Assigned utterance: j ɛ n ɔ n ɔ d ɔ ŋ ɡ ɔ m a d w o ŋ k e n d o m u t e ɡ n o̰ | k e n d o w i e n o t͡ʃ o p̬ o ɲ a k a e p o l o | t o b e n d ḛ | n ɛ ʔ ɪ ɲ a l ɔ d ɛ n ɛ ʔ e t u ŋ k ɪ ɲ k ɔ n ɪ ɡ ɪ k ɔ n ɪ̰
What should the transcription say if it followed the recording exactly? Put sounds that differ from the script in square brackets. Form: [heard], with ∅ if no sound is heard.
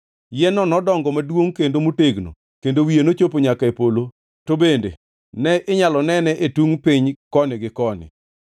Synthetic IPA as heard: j ɛ n ɔ n ɔ d ɔ ŋ ɡ ɔ m a d w o ŋ k e n d o m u t e ɡ n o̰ | k e n d o w i e n o t͡ʃ o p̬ o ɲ a k a e p o l o | t o b e n d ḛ | n ɛ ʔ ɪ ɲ a l ɔ [n] ɛ n ɛ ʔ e t u ŋ [p] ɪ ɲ k ɔ n ɪ ɡ ɪ k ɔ n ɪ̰